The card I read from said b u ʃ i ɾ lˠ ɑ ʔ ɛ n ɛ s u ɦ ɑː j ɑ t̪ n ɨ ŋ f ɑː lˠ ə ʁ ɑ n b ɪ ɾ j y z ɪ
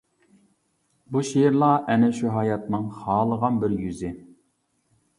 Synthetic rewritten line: b u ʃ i ɾ lˠ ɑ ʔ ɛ n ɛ ʃ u ɦ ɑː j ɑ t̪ n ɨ ŋ χ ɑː lˠ ə ʁ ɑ n b ɪ ɾ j y z ɪ